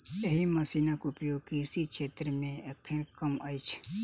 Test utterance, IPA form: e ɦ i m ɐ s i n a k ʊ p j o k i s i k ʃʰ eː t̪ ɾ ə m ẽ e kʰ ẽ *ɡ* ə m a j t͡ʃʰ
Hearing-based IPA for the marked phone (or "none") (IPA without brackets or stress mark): k